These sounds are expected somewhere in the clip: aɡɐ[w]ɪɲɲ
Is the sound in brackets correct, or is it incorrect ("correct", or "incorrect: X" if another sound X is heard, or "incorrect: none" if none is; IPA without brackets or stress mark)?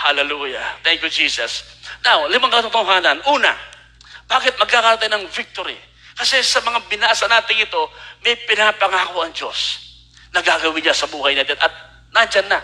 correct